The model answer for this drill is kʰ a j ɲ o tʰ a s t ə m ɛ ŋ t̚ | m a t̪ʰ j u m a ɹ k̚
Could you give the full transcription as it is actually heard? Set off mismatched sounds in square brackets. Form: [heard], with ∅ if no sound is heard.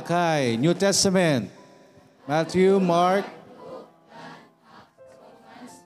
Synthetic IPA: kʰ a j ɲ [u] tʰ [ɛ] s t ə m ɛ [n] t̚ | m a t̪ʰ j u m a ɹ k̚